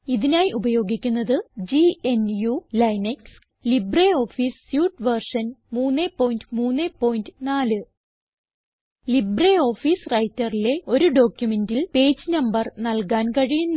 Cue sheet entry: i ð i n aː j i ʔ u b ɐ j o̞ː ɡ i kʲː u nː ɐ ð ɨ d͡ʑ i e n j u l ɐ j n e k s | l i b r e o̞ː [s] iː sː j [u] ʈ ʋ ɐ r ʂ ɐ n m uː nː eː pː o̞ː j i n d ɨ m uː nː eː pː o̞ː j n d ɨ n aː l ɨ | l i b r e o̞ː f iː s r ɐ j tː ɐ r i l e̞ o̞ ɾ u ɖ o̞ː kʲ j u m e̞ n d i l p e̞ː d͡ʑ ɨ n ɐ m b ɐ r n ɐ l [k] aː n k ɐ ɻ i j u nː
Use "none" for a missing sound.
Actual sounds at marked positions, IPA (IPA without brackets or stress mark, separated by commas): f, uː, k